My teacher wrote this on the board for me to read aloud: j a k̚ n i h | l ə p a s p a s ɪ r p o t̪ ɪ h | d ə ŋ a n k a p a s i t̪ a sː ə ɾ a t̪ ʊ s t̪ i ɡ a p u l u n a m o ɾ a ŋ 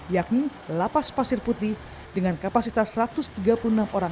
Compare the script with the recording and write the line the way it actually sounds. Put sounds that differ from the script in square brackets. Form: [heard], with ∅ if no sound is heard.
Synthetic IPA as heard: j a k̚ n i [∅] | l [a] p a s p a s ɪ r p [u] t̪ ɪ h | d ə ŋ a n k a p a s i t̪ a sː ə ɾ a t̪ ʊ s t̪ i ɡ a p u l u n a m o ɾ a ŋ